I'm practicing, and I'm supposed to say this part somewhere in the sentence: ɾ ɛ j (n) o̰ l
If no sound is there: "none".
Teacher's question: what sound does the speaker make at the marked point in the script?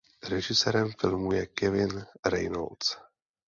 n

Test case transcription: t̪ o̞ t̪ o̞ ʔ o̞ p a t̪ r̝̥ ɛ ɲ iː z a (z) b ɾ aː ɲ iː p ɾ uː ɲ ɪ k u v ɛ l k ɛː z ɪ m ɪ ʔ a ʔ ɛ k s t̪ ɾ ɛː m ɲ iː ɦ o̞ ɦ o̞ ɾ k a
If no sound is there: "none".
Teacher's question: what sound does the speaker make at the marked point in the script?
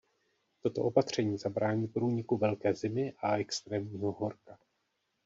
none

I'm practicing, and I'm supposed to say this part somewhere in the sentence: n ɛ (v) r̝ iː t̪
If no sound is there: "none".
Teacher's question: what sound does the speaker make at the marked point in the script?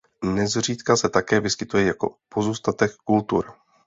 z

